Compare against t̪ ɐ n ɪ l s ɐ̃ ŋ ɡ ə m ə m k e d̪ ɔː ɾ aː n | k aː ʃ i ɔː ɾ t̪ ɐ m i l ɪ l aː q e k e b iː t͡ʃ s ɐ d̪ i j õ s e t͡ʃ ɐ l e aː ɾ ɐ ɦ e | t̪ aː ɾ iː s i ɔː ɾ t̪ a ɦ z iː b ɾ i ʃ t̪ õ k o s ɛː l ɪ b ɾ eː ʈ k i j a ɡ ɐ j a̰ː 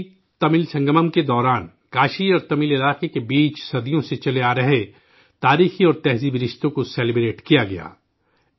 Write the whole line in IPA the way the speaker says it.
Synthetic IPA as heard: t̪ ɐ m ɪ l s ɐ̃ ŋ ɡ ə m ə m k e d̪ ɔː ɾ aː n | k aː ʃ i ɔː ɾ t̪ ɐ m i l ɪ l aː q e k e b iː t͡ʃ s ɐ d̪ i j õ s e t͡ʃ ɐ l e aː ɾ ɐ ɦ e | t̪ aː ɾ iː x i ɔː ɾ t̪ ɛ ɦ z iː b ɾ ɪ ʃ t̪ õ k o s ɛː l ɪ b ɾ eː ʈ k i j a ɡ ɐ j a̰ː